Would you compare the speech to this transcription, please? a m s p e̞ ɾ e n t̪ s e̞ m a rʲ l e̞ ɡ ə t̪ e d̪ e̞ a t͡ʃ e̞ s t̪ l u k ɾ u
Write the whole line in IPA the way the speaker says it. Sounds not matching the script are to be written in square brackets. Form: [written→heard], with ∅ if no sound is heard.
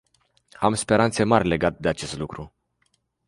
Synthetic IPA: a m s p e̞ ɾ [e→a] n t̪ s e̞ m a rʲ l e̞ ɡ [ə→a] t̪ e d̪ e̞ a t͡ʃ e̞ s t̪ l u k ɾ u